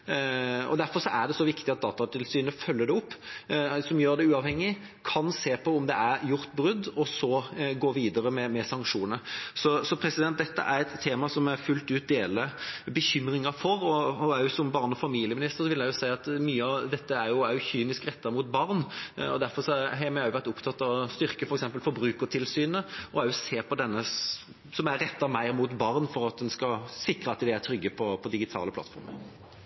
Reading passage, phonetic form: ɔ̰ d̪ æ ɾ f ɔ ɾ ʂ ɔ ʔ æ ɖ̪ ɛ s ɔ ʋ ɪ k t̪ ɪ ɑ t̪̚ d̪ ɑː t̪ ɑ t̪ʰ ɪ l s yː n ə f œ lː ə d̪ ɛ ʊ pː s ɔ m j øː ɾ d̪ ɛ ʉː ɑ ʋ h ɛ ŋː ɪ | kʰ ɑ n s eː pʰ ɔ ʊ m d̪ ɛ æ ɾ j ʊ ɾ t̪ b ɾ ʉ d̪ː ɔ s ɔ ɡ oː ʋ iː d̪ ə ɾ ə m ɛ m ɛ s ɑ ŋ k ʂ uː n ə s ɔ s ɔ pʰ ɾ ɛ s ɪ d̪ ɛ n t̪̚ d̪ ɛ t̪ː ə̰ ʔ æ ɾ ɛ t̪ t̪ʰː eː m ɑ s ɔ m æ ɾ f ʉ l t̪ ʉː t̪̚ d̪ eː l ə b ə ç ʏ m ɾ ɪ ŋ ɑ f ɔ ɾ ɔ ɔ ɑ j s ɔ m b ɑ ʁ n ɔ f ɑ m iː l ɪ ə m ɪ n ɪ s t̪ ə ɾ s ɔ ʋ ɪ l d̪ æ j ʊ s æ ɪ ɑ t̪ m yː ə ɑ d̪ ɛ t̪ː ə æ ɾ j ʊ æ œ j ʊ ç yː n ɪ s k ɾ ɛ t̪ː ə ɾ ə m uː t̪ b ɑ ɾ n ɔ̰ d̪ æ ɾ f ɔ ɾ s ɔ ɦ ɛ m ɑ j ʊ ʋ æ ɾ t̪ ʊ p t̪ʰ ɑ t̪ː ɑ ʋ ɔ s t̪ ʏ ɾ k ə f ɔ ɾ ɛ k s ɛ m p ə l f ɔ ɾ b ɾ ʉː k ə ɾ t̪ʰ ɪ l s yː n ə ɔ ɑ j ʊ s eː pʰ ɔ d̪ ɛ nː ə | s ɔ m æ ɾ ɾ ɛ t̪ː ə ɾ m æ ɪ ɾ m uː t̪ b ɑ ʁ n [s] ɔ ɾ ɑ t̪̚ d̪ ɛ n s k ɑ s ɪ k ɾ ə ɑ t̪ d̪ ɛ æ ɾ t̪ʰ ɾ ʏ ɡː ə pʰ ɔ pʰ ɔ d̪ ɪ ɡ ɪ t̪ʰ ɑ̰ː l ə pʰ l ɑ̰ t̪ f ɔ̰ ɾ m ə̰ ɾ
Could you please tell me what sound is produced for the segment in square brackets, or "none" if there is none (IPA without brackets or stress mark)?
f